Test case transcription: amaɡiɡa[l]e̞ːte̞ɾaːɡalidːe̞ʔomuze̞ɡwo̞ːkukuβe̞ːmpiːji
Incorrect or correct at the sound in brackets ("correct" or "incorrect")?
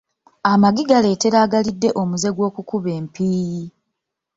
correct